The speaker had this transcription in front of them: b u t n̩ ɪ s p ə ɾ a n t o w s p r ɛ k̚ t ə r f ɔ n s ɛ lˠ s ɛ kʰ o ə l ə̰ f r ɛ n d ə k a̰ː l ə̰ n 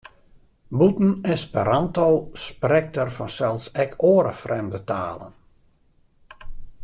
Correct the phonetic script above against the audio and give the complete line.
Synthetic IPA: b u t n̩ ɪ s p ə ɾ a n t o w s p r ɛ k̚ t ə r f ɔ n s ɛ lˠ s ɛ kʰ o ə ɾ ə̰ f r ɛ m d ə t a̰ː l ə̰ n

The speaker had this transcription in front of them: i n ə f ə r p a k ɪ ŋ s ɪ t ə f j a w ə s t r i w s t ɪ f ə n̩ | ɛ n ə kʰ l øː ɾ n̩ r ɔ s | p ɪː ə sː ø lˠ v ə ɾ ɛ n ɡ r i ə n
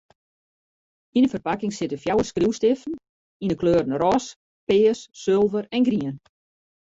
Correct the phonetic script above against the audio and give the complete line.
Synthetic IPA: i n ə f ə r p a k ɪ ŋ s ɪ t ə f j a w ə s k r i w s t ɪ f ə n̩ | i n ə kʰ l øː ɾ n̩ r ɔ s | p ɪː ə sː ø lˠ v ə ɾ ɛ n ɡ r i ə n

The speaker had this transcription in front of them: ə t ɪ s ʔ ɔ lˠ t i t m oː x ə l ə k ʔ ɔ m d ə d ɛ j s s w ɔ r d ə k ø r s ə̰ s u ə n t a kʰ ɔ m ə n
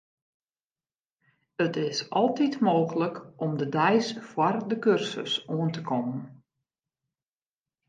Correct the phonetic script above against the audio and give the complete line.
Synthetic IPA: ə t ɪ s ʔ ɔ lˠ t i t m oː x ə l ə k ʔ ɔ m d ə d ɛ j s f w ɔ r d ə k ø r s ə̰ s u ə n t ə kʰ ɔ m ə n

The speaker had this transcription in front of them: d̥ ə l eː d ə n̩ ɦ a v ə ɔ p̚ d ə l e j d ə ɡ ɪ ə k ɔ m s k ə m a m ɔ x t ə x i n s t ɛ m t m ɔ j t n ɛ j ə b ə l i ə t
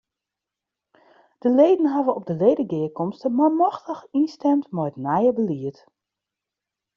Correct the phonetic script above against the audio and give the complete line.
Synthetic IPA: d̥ ə l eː d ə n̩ ɦ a v ə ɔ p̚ d ə l e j d ə ɡ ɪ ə k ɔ m s t ə m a m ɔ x t ə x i n s t ɛ m t m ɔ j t n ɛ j ə b ə l i ə t

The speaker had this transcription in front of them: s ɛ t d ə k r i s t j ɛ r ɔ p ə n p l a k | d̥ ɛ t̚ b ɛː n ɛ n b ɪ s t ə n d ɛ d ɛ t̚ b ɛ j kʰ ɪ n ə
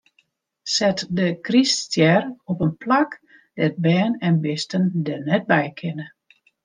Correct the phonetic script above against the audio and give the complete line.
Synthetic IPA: s ɛ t d ə k r i s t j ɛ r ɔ p ə n p l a k | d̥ ɛ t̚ b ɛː n ɛ n b ɪ s t ə n d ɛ n ɛ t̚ b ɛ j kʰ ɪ n ə

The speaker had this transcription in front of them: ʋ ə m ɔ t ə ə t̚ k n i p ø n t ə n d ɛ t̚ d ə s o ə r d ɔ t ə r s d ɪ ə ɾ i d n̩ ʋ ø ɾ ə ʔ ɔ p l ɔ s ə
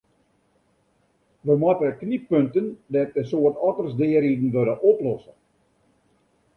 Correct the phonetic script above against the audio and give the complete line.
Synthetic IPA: ʋ ə m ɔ t ə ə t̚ k n i p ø n t ə n d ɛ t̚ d ə s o ə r t ɔ t ə r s d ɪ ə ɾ i d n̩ ʋ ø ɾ ə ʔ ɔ p l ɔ s ə

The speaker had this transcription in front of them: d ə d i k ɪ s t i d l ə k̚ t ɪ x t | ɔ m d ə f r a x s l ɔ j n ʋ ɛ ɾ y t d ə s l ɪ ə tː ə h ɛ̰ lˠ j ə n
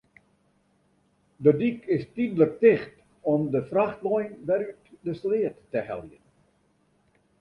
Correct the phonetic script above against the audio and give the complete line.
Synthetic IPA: d ə d i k ɪ s t i d l ə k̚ t ɪ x t | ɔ m d ə f r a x t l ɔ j n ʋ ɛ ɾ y t d ə s l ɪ ə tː ə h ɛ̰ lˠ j ə n

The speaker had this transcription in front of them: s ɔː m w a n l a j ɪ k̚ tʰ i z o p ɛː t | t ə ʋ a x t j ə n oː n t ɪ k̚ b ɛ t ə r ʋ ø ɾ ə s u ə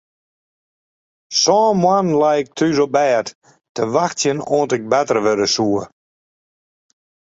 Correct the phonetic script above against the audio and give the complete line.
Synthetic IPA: s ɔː m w a n l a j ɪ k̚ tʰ y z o b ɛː t | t ə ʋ a x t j ə n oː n t ɪ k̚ b ɛ t ə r ʋ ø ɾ ə s u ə

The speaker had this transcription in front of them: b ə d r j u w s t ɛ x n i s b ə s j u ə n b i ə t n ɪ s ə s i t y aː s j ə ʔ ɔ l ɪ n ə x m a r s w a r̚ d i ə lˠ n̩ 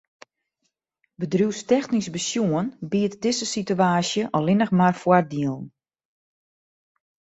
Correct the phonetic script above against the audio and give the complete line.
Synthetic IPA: b ə d r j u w s t ɛ x n i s b ə s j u ə n b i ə t d ɪ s ə s i t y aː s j ə ʔ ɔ l ɪ n ə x m a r f w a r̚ d i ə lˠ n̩

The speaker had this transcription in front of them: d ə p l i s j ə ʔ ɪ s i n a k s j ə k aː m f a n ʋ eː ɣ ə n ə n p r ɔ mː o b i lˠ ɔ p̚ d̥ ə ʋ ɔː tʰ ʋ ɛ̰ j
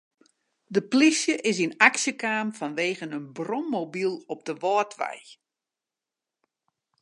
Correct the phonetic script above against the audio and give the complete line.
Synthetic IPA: d ə p l i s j ə ʔ ɪ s i n a k s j ə k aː m f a n ʋ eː ɣ ə n ə n b r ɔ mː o b i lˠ ɔ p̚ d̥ ə ʋ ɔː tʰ ʋ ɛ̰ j

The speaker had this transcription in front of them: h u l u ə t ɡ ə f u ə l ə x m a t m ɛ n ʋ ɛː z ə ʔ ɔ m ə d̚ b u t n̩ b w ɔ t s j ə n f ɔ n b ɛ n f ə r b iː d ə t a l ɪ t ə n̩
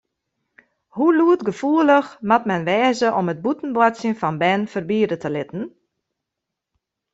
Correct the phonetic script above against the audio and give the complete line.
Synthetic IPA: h u l u ə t ɡ ə f u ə l ə x m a t m ɛ n ʋ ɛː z ə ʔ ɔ m ə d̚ b u t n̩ b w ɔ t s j ə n f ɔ n b ɛ n f ə r b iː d ə t ə l ɪ t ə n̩

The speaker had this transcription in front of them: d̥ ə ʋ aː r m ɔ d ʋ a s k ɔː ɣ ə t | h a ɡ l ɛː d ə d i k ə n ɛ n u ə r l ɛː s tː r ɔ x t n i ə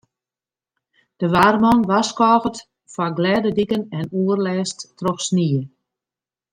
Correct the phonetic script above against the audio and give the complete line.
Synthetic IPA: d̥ ə ʋ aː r m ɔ n ʋ a s k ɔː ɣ ə t | f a ɡ l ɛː d ə d i k ə n ɛ n u ə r l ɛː s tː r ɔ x s n i ə

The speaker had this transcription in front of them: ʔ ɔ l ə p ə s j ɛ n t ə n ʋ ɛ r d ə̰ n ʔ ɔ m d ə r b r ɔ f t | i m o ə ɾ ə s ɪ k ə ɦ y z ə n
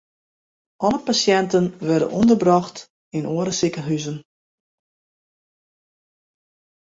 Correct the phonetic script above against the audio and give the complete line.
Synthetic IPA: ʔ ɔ l ə p a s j ɛ n t ə n ʋ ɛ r d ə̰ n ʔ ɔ n d ə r b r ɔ x t | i n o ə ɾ ə s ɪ k ə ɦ y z ə n

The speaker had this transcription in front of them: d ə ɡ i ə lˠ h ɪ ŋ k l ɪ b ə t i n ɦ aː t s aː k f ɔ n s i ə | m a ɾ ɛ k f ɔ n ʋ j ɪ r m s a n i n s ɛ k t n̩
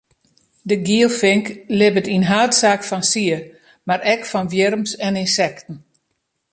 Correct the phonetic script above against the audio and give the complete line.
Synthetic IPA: d ə ɡ i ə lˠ f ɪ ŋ k l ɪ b ə t i n ɦ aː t s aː k f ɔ n s i ə | m a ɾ ɛ k f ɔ n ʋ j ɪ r m s ɛ n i n s ɛ k t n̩

